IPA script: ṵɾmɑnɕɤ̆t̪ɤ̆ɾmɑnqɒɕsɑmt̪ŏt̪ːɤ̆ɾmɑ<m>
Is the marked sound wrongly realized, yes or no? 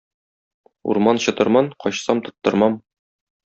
no